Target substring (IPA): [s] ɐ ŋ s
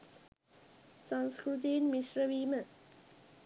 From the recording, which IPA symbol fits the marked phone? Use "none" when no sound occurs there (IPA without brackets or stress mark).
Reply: s